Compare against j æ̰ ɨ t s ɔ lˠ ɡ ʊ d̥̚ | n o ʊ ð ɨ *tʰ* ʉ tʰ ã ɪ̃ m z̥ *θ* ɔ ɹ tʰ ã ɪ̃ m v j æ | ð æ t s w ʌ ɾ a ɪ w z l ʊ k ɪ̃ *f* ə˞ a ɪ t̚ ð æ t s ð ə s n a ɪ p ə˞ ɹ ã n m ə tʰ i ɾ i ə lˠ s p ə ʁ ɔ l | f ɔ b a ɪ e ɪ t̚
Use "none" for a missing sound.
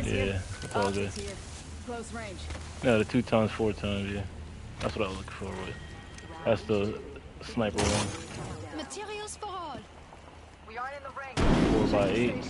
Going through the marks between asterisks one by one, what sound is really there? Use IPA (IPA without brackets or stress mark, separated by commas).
tʰ, f, f